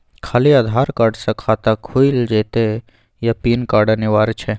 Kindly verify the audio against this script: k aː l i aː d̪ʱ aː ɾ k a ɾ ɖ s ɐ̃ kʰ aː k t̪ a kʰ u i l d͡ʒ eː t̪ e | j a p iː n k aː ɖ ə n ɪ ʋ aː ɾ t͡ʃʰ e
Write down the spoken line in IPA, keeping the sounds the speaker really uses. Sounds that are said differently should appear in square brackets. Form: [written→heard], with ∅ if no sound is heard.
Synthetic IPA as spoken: [k→kʰ] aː l i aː d̪ʱ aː ɾ k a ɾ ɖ s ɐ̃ kʰ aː [k→∅] t̪ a kʰ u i l d͡ʒ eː t̪ e | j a p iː n k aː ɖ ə n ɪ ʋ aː ɾ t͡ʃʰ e